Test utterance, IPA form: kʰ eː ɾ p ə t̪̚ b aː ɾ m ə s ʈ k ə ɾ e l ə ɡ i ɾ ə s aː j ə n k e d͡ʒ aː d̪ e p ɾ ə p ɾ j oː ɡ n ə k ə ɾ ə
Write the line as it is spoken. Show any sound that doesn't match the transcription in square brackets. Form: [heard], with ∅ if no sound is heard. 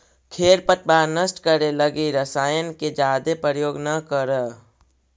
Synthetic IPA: kʰ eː ɾ p ə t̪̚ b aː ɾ [n] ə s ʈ k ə ɾ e l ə ɡ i ɾ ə s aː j ə n k e d͡ʒ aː d̪ e p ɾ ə [∅] ɾ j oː ɡ n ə k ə ɾ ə